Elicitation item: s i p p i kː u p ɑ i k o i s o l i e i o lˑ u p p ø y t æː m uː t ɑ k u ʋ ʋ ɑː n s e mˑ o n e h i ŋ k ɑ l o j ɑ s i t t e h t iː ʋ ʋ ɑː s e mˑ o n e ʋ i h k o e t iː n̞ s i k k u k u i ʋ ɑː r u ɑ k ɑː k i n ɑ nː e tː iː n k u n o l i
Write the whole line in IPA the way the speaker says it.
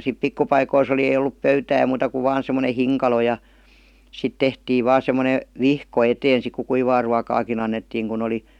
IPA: s i p p i kː u p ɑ i k o i s o l i e i o lˑ u p p ø y t æː m uː t ɑ k u ʋ ʋ ɑː n s e mˑ o n e h i ŋ k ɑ l o j ɑ s i t t e h t iː ʋ ʋ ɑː s e mˑ o n e ʋ i h k o e t eː n̞ s i k k u k u i ʋ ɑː r u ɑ k ɑː k i n ɑ nː e tː iː ŋ k u n o l i